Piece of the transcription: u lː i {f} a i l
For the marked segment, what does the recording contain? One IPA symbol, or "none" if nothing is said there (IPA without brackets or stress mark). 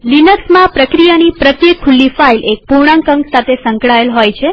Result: f